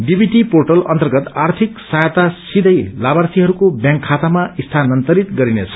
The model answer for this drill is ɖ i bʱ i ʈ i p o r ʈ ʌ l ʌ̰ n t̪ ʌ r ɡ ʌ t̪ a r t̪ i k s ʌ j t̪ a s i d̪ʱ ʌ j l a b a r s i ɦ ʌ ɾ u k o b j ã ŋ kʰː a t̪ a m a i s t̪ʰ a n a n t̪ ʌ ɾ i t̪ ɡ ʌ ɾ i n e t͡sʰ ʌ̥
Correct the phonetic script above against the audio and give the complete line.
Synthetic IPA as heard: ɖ i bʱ i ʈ i p o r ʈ ʌ l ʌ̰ n t̪ ʌ r ɡ ʌ t̪ a r t̪ʰ i k s a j t̪ a s i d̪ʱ ʌ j l a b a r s i ɦ ʌ ɾ u k o b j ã ŋ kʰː a t̪ a m a i s t̪ʰ a n ʌ n t̪ ʌ ɾ i t̪ ɡ ʌ ɾ i n e t͡sʰ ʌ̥